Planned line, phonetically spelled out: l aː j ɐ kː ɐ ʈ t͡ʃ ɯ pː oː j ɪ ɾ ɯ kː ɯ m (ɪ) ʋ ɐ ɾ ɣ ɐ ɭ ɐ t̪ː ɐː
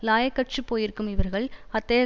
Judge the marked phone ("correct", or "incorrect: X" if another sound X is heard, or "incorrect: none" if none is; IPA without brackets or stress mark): correct